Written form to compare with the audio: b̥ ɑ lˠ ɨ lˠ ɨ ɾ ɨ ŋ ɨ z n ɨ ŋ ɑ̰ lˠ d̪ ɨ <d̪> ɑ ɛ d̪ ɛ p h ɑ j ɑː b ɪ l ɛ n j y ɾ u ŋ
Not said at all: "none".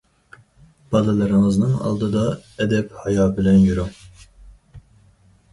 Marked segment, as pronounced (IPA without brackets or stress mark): d̪